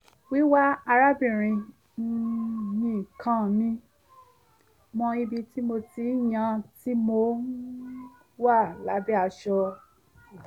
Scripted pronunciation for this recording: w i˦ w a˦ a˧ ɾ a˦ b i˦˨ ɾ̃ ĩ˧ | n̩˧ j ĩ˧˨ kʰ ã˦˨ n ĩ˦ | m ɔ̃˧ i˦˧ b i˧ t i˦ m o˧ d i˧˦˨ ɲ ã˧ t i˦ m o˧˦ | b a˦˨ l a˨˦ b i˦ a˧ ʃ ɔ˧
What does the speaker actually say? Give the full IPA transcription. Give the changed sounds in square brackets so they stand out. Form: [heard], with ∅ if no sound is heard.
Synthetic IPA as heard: w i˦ w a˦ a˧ ɾ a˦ b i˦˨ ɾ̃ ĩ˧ | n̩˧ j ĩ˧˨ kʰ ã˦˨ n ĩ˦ | m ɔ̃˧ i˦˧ b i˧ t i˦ m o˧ [t] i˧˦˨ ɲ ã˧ t i˦ m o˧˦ | [w] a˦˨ l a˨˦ b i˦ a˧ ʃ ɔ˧